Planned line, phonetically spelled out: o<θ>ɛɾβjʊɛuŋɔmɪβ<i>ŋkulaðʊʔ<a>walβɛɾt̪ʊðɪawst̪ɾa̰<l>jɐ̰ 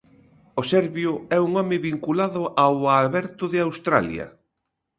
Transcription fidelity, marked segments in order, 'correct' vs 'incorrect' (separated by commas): incorrect, correct, correct, correct